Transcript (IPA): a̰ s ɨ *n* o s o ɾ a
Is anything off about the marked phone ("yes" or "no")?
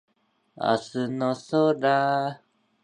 no